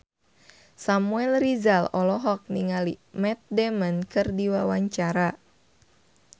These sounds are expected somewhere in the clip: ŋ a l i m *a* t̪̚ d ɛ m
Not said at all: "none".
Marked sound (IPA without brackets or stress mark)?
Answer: ɛ